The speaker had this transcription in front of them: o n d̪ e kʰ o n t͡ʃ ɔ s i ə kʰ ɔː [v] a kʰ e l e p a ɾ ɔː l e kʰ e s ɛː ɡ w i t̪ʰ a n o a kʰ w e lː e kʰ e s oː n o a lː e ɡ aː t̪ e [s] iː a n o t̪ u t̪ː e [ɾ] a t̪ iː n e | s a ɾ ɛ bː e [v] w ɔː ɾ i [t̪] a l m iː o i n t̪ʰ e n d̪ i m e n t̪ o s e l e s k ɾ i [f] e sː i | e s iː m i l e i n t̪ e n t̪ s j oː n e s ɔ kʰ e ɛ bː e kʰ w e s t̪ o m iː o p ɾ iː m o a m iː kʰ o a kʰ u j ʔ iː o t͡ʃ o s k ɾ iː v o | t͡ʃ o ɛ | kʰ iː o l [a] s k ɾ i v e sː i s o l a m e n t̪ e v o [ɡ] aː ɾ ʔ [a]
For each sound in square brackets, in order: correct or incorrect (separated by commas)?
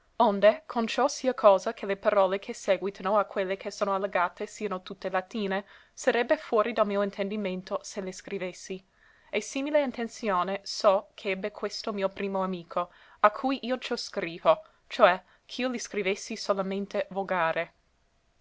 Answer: incorrect, correct, incorrect, incorrect, incorrect, incorrect, incorrect, correct, incorrect